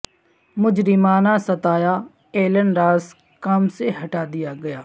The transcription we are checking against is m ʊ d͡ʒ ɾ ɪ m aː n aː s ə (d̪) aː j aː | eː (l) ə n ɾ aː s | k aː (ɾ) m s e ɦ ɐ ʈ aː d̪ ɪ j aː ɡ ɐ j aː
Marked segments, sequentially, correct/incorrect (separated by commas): incorrect, correct, incorrect